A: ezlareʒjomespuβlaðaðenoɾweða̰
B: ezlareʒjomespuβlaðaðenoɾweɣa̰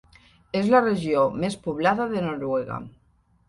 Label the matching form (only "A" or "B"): B